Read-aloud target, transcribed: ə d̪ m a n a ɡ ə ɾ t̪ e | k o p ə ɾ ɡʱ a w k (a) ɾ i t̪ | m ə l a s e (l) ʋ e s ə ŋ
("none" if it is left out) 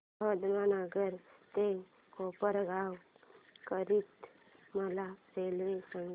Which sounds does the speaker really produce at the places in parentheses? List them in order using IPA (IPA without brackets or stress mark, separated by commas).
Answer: ə, l